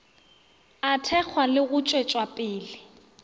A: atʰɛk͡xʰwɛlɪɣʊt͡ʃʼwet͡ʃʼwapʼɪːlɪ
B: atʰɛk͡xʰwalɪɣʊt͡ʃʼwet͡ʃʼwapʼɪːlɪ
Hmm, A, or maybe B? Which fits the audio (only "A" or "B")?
B